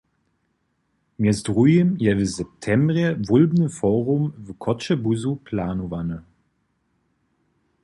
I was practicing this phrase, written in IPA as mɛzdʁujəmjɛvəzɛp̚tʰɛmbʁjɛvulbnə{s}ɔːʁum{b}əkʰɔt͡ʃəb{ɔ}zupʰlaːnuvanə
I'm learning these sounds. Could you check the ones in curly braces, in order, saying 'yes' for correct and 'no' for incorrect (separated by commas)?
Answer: no, no, no